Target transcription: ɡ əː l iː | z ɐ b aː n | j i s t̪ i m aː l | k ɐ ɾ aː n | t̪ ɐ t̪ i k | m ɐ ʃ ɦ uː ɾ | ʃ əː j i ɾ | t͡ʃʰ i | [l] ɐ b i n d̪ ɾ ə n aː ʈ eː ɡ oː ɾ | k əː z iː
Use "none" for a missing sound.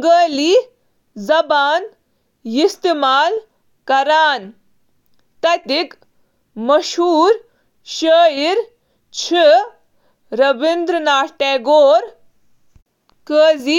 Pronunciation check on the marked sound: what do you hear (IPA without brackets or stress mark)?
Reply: ɾ